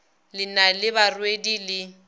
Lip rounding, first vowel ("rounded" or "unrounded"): unrounded